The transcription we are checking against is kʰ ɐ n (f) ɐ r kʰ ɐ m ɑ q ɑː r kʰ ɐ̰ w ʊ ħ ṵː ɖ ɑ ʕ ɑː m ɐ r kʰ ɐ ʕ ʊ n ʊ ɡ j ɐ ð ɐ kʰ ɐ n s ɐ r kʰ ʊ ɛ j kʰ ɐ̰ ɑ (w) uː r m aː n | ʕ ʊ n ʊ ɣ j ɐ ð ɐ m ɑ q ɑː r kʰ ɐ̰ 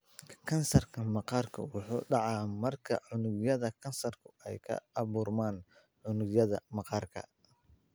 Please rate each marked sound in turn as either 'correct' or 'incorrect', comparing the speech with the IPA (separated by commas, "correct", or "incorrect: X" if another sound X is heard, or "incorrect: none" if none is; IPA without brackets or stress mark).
incorrect: s, incorrect: β